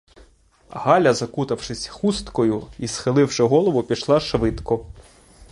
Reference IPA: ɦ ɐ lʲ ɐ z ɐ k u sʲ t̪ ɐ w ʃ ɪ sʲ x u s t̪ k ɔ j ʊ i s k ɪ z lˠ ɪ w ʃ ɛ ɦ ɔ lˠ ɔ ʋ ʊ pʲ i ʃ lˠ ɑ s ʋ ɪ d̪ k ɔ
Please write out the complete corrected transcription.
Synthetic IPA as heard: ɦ ɑ lʲ ɐ z ɐ k u t̪ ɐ w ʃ ɪ sʲ x u s t̪ k ɔ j ʊ i s x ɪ lˠ ɪ w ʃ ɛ ɦ ɔ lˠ ɔ ʋ ʊ pʲ i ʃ lˠ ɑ ʃ ʋ ɪ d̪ k ɔ

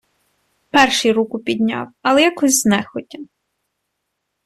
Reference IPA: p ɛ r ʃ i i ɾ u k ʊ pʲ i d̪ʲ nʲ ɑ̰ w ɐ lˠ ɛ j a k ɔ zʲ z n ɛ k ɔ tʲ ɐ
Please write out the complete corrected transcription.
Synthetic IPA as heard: p ɛ r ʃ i j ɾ u k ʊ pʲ i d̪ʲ nʲ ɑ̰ w ɐ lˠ ɛ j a k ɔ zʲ z n ɛ x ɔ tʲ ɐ

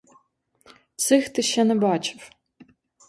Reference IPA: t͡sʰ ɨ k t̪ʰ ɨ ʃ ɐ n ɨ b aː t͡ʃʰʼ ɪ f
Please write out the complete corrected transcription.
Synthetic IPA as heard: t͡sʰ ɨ x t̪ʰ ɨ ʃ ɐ n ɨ b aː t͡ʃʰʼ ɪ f

